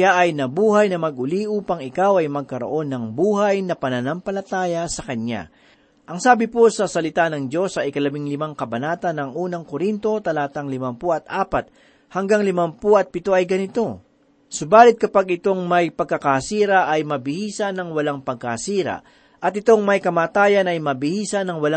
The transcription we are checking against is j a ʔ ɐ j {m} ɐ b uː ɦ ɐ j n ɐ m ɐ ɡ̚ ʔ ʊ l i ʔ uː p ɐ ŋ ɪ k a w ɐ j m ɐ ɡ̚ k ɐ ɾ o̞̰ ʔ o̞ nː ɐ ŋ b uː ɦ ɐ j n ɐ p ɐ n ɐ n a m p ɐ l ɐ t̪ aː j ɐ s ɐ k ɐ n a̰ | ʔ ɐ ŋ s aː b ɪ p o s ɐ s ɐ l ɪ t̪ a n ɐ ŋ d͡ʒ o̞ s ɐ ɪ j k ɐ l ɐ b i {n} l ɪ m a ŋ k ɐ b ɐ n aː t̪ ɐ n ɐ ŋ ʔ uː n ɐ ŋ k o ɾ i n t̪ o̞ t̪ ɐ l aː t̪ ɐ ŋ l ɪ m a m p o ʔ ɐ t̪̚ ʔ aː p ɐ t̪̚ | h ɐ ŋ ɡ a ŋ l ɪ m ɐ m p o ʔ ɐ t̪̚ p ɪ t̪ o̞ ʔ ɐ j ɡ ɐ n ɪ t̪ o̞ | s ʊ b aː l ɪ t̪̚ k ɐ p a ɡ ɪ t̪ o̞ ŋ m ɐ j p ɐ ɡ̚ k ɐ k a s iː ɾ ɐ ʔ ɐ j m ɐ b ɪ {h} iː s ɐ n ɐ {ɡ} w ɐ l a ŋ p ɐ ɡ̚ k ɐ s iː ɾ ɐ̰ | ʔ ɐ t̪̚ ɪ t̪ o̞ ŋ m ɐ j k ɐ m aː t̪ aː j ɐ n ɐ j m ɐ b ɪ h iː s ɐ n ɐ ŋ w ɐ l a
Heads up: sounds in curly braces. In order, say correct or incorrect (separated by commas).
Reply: incorrect, incorrect, correct, incorrect